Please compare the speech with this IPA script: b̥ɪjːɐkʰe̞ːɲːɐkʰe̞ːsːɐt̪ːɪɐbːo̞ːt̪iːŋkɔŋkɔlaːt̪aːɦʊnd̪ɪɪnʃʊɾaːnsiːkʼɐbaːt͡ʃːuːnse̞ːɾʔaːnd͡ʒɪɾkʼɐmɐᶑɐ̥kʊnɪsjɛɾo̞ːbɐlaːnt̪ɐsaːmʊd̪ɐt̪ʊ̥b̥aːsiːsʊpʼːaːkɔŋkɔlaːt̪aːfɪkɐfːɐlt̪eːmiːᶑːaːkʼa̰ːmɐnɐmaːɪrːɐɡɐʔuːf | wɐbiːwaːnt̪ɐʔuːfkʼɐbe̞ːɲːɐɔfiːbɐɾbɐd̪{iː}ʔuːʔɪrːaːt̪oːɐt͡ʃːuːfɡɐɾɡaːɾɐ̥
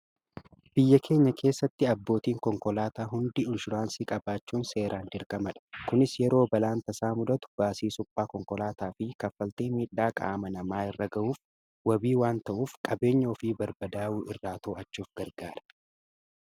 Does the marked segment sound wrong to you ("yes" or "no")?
yes